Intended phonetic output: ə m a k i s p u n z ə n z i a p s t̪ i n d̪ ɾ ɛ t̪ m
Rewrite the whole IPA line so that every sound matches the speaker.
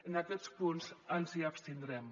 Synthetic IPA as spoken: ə n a k ɛ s p u n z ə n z i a p s t̪ i n d̪ ɾ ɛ m